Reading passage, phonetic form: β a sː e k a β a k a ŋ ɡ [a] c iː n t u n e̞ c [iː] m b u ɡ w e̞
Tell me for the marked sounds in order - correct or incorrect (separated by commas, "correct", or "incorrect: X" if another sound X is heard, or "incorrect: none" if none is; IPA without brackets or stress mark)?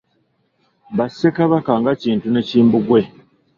correct, correct